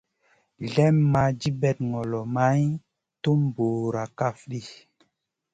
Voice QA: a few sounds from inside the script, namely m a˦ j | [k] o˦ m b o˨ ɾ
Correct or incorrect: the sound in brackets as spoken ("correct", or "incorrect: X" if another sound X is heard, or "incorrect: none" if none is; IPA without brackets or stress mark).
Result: incorrect: t